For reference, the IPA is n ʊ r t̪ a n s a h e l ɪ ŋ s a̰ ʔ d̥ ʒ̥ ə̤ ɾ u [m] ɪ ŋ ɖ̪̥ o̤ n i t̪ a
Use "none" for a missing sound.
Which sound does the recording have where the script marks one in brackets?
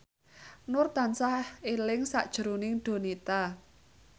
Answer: n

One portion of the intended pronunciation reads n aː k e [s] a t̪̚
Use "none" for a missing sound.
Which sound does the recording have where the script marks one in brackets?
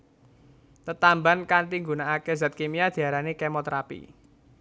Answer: z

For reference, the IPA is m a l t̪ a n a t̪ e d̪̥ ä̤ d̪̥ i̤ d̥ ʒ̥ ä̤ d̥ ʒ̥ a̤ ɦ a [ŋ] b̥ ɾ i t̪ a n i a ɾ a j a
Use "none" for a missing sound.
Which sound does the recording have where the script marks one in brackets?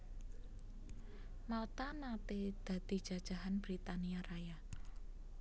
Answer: n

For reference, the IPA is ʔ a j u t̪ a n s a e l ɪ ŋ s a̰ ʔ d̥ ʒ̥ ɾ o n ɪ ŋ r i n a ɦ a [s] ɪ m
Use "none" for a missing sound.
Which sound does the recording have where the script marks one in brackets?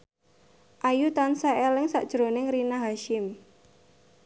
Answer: ʃ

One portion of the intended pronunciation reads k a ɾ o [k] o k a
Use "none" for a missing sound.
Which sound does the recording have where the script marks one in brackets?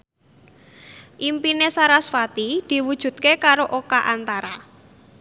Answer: ʔ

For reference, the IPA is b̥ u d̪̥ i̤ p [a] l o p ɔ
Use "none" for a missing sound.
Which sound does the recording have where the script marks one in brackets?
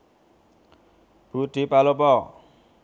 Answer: a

